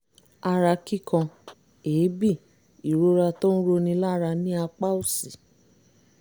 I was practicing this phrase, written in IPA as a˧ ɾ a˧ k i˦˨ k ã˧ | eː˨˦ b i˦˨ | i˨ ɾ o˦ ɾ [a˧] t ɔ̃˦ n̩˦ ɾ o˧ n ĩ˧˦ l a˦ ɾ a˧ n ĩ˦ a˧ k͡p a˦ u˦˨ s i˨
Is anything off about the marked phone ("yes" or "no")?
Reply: no